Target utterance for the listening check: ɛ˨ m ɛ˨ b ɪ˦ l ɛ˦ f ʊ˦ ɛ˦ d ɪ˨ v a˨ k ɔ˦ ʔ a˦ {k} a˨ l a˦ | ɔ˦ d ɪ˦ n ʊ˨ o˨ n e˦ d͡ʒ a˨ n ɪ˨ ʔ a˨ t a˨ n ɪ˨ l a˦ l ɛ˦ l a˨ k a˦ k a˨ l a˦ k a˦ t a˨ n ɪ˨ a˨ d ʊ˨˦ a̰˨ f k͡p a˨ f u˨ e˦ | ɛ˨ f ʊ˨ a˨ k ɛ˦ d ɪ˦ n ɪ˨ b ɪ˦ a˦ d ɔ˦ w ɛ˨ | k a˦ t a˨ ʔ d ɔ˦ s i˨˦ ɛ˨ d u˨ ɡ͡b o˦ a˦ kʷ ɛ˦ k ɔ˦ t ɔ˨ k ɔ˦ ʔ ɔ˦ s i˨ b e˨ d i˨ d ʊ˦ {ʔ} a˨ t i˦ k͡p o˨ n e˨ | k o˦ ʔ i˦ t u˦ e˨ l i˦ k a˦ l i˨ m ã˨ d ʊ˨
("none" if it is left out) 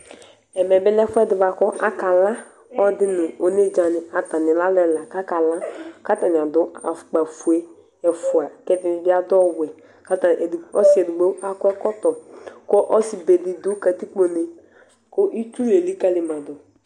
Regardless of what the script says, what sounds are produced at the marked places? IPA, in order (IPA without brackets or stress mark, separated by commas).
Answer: k, k